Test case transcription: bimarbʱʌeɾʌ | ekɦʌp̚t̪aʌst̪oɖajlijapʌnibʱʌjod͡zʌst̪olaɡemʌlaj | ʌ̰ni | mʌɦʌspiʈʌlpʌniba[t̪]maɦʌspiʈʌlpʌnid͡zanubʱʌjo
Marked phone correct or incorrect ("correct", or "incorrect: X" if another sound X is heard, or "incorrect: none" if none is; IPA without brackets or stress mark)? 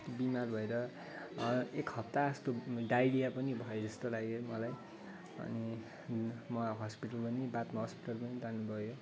correct